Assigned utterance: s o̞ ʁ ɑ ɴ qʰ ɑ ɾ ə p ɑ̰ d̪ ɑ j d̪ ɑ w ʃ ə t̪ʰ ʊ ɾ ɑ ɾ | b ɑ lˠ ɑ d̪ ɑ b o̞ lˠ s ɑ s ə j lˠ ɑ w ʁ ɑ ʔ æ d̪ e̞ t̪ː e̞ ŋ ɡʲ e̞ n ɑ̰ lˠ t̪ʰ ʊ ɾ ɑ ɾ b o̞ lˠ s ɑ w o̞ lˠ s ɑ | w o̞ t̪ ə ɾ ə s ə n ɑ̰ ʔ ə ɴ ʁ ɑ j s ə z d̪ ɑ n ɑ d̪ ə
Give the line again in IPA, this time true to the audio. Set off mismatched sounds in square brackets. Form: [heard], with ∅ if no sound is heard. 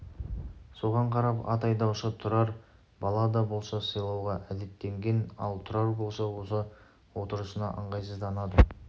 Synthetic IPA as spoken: s o̞ ʁ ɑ ɴ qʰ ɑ ɾ [ɑ] p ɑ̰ [t̪] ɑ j d̪ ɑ w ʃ ə t̪ʰ ʊ ɾ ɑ ɾ | b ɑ lˠ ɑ d̪ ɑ b o̞ lˠ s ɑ s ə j lˠ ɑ w ʁ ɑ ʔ æ d̪ e̞ t̪ː e̞ ŋ ɡʲ e̞ n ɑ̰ lˠ t̪ʰ ʊ ɾ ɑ ɾ b o̞ lˠ s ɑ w o̞ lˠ s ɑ | w o̞ t̪ ə ɾ ə s ə n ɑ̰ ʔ ə ɴ ʁ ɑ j s ə z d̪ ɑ n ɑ d̪ ə